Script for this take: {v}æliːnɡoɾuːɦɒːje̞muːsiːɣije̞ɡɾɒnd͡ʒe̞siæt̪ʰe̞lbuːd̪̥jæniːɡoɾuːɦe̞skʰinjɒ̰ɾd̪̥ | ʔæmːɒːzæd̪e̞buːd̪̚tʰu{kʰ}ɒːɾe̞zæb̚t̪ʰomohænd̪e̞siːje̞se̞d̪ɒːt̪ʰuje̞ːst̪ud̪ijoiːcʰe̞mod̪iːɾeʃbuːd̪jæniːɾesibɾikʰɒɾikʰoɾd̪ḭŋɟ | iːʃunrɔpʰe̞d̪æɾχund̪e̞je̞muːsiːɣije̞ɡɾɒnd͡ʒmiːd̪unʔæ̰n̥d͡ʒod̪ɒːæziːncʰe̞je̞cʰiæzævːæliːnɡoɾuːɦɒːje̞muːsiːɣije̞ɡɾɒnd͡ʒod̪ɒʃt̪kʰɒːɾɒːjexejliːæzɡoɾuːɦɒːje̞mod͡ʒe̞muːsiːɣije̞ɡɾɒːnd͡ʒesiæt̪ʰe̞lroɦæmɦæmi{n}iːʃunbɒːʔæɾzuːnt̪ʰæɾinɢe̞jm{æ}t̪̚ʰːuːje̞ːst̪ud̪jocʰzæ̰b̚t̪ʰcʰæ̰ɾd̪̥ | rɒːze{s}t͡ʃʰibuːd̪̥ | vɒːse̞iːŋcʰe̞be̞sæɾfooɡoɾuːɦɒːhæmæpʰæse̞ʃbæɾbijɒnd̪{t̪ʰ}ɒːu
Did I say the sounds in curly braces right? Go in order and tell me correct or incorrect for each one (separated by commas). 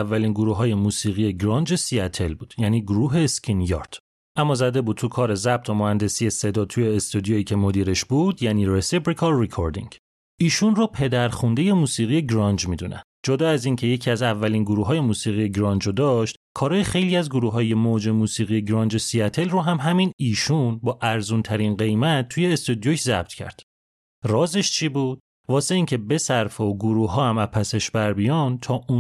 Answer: incorrect, correct, correct, correct, incorrect, correct